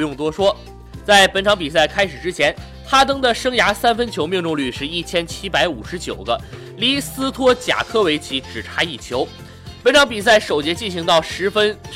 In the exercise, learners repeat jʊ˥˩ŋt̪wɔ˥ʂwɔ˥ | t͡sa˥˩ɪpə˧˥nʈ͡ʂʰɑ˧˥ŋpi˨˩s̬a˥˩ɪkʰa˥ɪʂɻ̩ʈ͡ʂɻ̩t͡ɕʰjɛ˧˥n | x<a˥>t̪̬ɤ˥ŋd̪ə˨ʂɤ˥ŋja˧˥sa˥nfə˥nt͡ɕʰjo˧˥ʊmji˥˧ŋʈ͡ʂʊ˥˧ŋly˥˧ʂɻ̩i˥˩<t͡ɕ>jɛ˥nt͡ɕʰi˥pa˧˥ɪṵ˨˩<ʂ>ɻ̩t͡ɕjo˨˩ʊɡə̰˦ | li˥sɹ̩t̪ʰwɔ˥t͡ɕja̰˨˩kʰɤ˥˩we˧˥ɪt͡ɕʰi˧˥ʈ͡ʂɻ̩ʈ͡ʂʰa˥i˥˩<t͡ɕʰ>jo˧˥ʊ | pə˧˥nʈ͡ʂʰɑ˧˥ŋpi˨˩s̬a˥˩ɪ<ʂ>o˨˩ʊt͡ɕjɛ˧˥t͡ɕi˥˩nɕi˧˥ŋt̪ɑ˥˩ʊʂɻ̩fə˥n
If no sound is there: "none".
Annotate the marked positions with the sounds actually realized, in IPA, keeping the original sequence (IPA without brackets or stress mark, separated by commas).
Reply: a˥, t͡ɕʰ, ʂ, t͡ɕʰ, ʂ